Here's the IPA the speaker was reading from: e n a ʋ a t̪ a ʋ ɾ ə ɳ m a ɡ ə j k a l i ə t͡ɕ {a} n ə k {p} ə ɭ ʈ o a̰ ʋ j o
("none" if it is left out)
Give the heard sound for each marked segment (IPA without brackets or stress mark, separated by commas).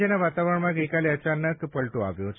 a, p